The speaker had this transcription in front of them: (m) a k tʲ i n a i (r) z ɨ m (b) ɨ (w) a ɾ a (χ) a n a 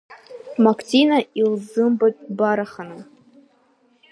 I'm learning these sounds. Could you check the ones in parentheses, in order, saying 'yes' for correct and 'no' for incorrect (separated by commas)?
yes, no, yes, no, yes